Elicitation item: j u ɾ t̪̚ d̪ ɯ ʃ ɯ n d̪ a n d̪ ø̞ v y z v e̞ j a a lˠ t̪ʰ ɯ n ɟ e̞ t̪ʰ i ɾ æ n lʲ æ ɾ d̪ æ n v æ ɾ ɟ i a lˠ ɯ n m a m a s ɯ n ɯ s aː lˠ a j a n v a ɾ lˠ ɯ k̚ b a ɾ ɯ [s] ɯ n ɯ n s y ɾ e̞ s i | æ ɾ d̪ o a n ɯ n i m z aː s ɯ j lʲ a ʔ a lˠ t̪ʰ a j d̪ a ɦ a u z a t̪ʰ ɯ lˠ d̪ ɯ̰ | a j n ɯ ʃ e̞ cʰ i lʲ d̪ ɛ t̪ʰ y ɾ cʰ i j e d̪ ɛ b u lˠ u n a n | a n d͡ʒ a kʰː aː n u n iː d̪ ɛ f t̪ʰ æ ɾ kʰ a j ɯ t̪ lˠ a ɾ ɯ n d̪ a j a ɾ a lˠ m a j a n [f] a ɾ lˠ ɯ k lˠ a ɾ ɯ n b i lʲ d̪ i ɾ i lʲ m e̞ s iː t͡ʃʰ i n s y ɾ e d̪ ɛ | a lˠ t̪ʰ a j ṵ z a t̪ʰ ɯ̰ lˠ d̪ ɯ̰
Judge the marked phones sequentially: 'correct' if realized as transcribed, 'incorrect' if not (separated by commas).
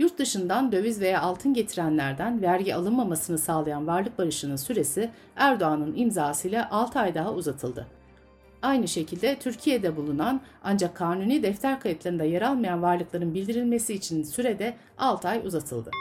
incorrect, incorrect